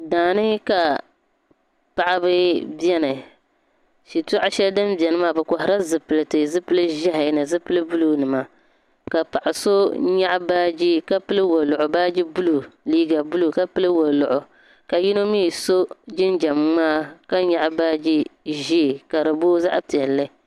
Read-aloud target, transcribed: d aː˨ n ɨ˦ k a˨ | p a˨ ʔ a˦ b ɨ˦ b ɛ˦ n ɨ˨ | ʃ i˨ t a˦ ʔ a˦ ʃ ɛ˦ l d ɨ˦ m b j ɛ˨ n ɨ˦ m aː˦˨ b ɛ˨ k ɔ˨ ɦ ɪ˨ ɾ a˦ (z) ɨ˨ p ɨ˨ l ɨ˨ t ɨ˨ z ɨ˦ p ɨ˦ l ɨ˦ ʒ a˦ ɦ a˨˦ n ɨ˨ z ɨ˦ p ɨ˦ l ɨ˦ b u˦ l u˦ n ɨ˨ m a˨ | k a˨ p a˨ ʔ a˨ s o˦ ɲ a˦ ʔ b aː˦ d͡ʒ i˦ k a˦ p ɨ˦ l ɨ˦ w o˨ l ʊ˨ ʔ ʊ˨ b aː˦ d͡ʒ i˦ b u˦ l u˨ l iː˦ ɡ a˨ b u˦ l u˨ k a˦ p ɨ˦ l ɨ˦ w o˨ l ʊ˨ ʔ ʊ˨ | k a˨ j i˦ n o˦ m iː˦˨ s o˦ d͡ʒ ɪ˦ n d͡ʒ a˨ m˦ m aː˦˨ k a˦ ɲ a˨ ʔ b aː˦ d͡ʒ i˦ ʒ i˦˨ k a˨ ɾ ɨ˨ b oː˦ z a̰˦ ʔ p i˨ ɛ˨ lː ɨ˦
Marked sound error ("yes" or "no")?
no